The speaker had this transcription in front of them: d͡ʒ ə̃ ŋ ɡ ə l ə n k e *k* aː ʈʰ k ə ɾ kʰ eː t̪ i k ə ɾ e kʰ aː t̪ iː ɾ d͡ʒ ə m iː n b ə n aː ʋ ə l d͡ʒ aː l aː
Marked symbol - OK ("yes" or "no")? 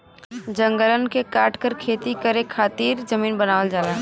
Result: yes